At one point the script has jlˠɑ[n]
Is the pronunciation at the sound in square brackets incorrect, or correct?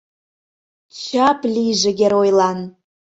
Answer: correct